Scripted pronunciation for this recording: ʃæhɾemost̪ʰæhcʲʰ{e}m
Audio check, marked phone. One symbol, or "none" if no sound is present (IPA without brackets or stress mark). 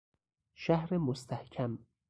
æ